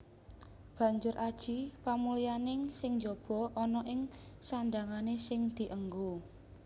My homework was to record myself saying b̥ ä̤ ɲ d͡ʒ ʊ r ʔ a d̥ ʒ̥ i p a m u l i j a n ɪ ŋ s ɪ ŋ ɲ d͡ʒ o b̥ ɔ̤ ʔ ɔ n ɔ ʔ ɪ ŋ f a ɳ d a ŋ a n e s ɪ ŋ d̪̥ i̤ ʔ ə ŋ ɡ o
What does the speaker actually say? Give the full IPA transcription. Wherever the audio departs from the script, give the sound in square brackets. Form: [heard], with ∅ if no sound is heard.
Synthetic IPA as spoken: b̥ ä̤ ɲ d͡ʒ ʊ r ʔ a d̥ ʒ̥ i p a m u l i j a n ɪ ŋ s ɪ ŋ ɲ d͡ʒ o b̥ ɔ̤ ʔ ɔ n ɔ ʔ ɪ ŋ [s] a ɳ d a ŋ a n e s ɪ ŋ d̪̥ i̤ ʔ ə ŋ ɡ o